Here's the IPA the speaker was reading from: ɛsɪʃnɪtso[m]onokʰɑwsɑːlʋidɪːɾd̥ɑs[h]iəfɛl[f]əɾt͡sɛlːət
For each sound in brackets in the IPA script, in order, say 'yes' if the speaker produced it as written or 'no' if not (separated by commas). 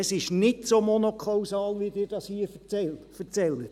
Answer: yes, yes, yes